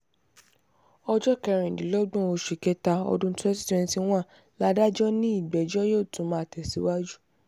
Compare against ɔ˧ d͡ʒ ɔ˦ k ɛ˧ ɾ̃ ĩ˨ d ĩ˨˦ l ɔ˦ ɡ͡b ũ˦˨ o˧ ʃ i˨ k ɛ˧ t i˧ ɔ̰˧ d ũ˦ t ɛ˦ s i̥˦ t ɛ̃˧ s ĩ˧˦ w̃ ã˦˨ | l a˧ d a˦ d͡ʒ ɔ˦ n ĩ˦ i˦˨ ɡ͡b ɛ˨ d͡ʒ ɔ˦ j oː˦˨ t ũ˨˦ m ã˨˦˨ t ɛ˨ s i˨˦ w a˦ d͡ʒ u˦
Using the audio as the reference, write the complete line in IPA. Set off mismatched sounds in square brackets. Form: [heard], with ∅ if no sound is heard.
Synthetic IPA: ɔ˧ d͡ʒ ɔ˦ k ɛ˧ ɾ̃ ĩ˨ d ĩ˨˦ l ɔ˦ ɡ͡b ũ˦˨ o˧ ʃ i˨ k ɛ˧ t [a˧] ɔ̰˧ d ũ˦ t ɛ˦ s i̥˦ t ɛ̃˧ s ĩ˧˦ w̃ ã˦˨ | l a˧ d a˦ d͡ʒ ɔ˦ n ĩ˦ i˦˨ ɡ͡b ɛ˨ d͡ʒ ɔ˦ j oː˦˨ t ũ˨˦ m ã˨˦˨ t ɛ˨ s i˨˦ w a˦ d͡ʒ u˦